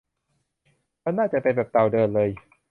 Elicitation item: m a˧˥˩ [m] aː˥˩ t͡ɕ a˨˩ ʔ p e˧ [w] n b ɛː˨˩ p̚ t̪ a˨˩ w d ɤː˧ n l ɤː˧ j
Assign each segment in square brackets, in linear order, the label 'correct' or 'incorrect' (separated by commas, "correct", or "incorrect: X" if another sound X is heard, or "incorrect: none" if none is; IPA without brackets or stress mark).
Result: incorrect: n, incorrect: none